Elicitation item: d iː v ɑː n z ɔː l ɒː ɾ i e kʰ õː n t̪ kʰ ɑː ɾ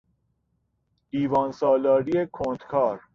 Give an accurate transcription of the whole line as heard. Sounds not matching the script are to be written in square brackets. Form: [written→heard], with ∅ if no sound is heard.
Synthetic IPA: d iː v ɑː n [z→s] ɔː l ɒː ɾ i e kʰ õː n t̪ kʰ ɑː ɾ

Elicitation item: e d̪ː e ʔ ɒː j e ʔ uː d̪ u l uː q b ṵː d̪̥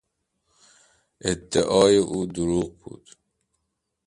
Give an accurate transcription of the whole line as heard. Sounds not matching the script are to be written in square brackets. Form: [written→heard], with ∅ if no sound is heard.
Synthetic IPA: e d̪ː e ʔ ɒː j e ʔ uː d̪ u [l→ɾ] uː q b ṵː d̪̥

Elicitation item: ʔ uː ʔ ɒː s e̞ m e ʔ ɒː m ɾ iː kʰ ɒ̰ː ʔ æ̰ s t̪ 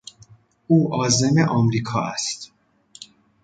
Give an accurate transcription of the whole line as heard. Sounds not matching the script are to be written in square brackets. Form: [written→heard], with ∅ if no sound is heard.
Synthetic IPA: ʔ uː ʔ ɒː [s→z] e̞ m e ʔ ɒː m ɾ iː kʰ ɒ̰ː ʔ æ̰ s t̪

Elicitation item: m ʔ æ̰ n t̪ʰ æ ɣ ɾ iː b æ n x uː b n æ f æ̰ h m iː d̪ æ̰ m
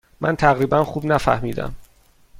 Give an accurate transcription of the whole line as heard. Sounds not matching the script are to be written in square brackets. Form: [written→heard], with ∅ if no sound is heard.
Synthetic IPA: m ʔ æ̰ n t̪ʰ æ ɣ ɾ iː b æ n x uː b n æ f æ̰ h m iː d̪ æ̰ m

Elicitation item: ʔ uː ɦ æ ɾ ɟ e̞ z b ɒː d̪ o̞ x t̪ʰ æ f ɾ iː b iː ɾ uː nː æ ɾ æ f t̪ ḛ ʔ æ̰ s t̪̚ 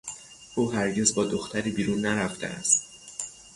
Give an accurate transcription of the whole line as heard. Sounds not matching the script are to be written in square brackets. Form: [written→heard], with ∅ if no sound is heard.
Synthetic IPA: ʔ uː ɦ æ ɾ ɟ e̞ z b ɒː d̪ o̞ x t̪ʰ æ [f→∅] ɾ iː b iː ɾ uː nː æ ɾ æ f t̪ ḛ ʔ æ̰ s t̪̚

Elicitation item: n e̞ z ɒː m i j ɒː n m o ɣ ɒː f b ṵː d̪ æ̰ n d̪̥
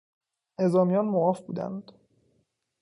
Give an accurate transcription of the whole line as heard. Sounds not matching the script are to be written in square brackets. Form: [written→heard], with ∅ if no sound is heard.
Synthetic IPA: n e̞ z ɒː m i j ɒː n m o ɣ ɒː f b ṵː d̪ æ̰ n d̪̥

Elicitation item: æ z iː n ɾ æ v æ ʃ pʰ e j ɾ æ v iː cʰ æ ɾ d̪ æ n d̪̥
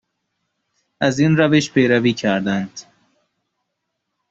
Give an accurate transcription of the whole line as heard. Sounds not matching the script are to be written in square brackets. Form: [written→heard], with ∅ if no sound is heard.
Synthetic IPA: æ z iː n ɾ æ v [æ→e] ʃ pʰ e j ɾ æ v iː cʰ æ ɾ d̪ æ n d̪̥

